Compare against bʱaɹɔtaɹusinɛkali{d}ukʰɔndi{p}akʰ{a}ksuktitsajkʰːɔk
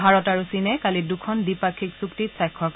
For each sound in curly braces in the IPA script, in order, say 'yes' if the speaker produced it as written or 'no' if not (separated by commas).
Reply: yes, yes, no